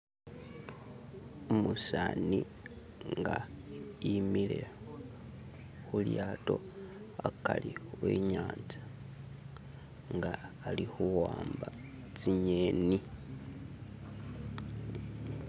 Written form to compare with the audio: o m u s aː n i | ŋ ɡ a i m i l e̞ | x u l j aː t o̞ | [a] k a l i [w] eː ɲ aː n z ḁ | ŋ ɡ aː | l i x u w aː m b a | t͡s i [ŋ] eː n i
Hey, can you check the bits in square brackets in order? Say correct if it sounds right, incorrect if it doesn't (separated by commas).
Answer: correct, correct, incorrect